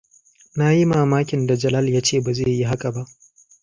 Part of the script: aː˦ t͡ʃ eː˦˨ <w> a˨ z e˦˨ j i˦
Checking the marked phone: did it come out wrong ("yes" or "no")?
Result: yes